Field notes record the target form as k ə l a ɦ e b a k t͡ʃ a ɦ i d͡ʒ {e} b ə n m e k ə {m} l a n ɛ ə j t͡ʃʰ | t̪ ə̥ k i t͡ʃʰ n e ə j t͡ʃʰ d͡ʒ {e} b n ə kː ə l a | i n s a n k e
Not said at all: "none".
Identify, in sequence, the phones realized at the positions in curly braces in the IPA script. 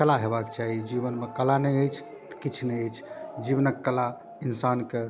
i, none, i

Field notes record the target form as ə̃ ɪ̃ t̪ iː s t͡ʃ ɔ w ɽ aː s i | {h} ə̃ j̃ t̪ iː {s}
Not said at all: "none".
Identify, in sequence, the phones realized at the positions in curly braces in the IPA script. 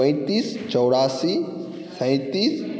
s, s

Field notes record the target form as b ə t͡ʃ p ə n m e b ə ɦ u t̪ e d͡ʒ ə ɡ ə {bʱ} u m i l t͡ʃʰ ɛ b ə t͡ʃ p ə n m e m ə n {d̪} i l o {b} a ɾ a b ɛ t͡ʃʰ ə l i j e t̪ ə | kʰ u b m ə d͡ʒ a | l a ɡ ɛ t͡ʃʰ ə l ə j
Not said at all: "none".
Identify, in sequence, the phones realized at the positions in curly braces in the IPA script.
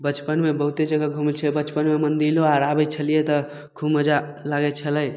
ɡʱ, d̪, none

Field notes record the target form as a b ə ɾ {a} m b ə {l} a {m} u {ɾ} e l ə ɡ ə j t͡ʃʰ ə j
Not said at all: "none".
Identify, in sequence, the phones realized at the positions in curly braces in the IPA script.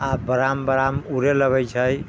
a, ɾ, m, ɾ

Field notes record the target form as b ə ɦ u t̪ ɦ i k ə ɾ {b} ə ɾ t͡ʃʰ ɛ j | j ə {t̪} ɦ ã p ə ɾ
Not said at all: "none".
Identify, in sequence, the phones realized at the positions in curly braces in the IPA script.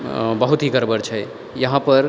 b, none

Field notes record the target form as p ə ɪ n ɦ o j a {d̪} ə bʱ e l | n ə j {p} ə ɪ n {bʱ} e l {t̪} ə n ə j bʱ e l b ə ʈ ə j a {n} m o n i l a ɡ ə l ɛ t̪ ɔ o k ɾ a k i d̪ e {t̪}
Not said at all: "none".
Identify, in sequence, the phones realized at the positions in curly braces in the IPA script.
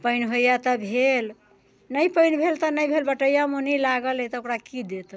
t̪, p, bʱ, t̪, none, t̪

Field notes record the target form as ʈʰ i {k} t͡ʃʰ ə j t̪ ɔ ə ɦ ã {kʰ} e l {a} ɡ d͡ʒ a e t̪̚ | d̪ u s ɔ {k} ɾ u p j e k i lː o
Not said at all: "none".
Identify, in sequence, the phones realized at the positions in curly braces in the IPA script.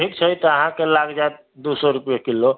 k, k, a, none

